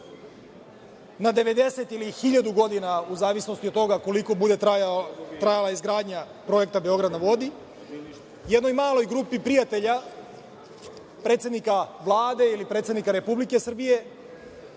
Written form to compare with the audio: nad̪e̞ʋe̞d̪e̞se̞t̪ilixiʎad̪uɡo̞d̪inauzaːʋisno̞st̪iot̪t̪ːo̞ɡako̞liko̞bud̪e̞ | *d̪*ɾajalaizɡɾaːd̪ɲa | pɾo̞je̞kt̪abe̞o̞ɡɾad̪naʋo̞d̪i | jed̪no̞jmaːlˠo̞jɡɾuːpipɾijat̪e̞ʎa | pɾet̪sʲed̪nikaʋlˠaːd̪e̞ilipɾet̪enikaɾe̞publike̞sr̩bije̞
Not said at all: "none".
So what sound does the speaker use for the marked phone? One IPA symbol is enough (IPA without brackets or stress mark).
t̪